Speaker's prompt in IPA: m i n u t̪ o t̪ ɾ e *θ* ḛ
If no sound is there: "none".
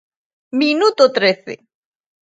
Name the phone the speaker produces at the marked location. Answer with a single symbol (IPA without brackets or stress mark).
θ